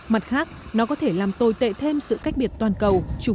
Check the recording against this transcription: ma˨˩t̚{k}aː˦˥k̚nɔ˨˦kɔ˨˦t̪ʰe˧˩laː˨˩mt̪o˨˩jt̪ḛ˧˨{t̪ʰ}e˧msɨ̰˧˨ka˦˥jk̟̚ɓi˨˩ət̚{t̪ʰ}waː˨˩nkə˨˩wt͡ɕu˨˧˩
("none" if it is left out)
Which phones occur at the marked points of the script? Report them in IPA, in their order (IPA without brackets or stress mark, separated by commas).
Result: x, t̪ʰ, t̪